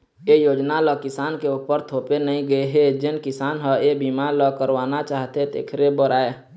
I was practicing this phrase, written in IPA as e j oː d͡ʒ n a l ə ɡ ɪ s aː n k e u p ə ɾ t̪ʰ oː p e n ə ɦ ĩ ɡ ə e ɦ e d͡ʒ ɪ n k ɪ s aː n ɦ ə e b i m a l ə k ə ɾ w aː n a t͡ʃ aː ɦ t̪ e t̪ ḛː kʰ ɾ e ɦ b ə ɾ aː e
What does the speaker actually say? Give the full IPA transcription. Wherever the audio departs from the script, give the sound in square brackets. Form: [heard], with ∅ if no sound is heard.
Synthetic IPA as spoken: e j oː d͡ʒ n a l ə [k] ɪ s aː n k e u p ə ɾ t̪ʰ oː p e n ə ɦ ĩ ɡ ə e ɦ e d͡ʒ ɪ n k ɪ s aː n ɦ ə e b i m a l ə k ə ɾ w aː n a t͡ʃ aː ɦ t̪ e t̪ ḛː kʰ ɾ e [∅] b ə ɾ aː e